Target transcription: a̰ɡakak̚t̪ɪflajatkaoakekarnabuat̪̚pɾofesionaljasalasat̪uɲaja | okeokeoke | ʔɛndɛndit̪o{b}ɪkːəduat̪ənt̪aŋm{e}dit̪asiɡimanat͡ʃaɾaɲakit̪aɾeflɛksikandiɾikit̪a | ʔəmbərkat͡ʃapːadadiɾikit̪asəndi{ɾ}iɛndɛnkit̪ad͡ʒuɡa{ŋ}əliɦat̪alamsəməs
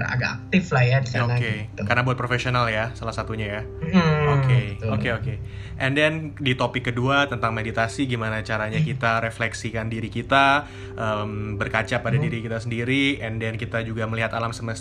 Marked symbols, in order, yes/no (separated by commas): no, yes, yes, no